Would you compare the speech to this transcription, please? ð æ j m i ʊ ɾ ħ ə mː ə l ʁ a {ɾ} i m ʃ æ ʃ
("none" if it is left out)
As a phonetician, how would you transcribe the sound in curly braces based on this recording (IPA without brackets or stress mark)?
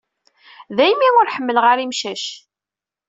ɾ